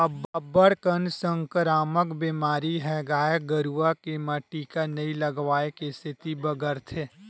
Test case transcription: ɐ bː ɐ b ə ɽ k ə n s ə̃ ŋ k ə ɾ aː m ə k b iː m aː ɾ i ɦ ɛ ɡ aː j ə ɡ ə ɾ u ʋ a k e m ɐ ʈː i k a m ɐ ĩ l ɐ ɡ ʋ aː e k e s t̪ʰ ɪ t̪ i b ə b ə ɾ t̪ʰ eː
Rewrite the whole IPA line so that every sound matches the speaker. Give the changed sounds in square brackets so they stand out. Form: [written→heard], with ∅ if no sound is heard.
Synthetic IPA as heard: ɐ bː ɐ b ə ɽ k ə n s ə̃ ŋ k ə ɾ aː m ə k b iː m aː ɾ i ɦ ɛ ɡ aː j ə ɡ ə ɾ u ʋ a k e m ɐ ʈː i k a [m→n] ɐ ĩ l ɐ ɡ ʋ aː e k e s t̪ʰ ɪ t̪ i b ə [b→ɡ] ə ɾ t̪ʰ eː